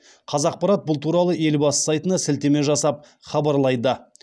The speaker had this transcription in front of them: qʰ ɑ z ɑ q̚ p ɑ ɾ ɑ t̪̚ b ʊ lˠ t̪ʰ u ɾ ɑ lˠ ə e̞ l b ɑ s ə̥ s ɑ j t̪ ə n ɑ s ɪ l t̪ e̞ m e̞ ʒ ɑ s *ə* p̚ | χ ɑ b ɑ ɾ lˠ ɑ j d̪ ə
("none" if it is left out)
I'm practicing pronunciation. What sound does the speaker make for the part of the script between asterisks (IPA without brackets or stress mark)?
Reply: ɑ